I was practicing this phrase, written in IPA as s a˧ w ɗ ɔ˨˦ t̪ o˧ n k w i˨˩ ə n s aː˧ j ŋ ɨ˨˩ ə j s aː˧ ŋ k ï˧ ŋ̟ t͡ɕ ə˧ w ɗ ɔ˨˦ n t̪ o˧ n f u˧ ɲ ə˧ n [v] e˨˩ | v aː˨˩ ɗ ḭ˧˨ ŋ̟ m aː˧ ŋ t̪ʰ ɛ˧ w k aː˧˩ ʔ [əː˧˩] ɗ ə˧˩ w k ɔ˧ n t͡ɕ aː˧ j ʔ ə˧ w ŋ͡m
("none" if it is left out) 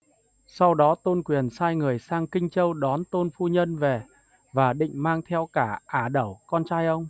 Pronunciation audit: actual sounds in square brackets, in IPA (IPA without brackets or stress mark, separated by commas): v, aː˧˩